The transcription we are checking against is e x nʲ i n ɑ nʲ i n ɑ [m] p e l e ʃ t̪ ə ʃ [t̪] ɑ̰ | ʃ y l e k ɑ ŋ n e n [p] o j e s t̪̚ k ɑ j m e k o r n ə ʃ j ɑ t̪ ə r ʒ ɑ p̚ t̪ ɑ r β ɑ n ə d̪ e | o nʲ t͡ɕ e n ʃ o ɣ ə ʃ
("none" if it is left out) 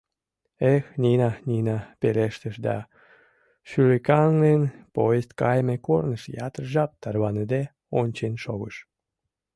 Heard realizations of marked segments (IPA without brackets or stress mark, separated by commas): none, d̪, p